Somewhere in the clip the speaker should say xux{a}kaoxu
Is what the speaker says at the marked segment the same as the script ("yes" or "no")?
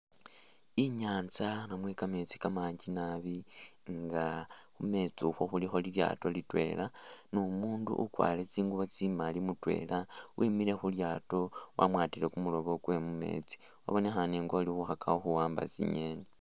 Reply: yes